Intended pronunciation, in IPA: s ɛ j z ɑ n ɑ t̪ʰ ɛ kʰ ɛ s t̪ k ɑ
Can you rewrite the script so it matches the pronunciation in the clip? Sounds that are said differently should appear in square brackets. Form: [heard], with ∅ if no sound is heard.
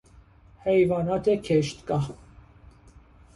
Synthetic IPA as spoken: [h] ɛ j [v] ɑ n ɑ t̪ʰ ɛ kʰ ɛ [ʃ] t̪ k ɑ